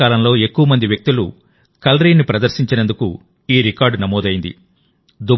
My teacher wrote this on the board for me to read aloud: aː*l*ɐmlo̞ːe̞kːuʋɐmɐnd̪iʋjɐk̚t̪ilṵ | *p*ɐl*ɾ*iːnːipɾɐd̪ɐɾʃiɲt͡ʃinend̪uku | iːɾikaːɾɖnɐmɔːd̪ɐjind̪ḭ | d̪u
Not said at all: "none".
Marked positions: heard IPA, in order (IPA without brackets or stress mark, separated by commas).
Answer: l, k, ɾ